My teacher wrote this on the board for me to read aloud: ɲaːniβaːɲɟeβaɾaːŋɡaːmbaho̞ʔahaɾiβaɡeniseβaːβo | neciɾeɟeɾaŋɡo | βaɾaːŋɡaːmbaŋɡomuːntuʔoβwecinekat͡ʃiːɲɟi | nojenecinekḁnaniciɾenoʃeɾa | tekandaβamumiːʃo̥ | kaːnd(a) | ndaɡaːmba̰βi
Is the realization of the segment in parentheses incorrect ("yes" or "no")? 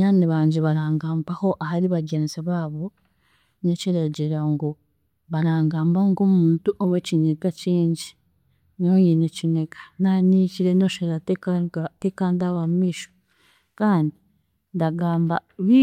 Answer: yes